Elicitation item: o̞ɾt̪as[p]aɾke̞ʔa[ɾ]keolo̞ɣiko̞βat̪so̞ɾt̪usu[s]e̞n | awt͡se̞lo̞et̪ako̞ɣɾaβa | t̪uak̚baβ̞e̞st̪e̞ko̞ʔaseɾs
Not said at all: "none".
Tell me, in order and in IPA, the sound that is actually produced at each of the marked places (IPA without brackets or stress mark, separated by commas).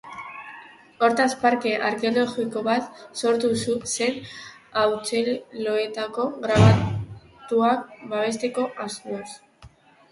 p, ɾ, s